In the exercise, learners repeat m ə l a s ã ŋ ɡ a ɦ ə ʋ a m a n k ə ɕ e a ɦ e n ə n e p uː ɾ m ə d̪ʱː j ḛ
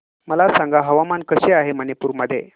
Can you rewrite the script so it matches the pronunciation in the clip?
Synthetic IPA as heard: m ə l a s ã ŋ ɡ a ɦ ə ʋ a m a n k ə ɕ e a ɦ e m ə n e p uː ɾ m ə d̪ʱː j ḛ